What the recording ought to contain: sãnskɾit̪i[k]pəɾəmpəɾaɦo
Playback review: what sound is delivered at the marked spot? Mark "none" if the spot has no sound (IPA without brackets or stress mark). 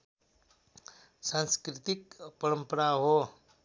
k